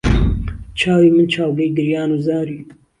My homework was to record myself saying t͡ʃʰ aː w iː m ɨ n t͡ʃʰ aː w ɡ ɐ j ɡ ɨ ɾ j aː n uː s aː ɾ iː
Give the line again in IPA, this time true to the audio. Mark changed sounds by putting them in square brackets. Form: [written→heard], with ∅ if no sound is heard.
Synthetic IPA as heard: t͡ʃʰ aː w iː m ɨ n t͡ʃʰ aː w ɡ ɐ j ɡ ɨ ɾ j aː n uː [s→z] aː ɾ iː